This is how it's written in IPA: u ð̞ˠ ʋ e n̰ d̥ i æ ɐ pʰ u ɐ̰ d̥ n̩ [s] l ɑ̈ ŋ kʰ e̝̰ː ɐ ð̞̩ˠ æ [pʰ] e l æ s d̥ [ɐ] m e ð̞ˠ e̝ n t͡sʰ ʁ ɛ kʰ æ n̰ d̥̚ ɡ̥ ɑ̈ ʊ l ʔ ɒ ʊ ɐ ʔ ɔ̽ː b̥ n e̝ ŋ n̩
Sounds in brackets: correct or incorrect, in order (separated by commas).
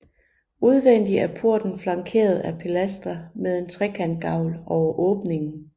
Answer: incorrect, correct, correct